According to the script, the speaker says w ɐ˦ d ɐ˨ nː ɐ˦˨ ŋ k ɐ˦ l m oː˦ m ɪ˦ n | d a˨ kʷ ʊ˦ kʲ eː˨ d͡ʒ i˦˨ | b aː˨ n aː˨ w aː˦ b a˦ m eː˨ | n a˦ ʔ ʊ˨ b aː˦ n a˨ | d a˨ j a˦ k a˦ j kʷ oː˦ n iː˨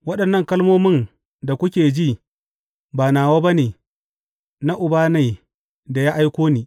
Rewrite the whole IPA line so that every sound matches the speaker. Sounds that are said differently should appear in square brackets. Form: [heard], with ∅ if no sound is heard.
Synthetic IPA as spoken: w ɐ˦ [ɗ] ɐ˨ nː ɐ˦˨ ŋ k ɐ˦ l m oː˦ m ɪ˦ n | d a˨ kʷ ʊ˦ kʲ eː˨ d͡ʒ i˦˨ | b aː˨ n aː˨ w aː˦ b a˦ [n] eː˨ | n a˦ ʔ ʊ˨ b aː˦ n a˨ | d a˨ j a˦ [ʔ] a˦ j kʷ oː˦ n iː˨